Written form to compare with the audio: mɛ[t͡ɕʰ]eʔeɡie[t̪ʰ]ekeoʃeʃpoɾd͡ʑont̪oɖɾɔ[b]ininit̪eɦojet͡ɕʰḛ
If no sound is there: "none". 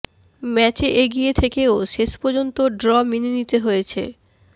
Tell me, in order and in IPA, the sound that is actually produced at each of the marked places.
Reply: t͡ɕ, t̪ʰ, m

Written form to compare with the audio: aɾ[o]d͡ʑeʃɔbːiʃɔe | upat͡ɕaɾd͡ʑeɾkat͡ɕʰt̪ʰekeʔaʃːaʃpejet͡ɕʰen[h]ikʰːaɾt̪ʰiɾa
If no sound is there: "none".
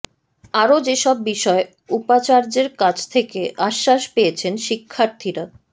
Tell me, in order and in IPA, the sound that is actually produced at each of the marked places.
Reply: o, ʃ

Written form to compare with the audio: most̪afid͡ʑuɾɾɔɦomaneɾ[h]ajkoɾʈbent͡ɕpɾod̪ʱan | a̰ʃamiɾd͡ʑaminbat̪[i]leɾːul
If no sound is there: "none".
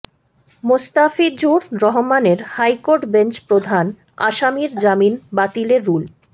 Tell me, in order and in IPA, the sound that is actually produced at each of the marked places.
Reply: h, i

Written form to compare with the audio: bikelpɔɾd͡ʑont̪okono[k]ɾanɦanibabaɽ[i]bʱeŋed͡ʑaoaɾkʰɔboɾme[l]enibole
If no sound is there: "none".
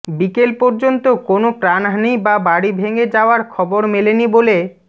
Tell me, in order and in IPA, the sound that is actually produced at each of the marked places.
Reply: p, i, l

